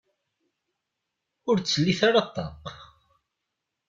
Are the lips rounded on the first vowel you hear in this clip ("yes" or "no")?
yes